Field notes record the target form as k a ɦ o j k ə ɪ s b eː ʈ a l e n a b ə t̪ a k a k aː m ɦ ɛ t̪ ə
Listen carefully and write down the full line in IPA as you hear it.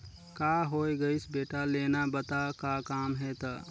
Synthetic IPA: k a ɦ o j ɡ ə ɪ s b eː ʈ a l e n a b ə t̪ a k a k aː m ɦ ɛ t̪ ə